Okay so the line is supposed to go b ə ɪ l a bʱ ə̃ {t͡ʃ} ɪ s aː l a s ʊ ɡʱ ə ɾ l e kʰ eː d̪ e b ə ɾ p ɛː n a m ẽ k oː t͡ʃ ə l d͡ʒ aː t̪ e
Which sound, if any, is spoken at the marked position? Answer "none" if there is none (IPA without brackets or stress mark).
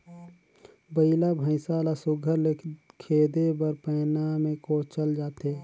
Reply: none